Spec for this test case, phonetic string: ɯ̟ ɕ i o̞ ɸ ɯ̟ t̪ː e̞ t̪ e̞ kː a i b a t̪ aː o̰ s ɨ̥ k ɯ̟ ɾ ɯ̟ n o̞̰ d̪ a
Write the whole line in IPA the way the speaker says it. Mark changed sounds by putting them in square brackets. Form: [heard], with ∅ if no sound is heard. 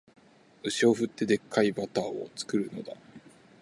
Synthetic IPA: ɯ̟ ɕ i o̞ ɸ ɯ̟ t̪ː e̞ [d̪] e̞ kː a i b a t̪ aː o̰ [t͡s] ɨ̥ k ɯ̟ ɾ ɯ̟ n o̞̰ d̪ a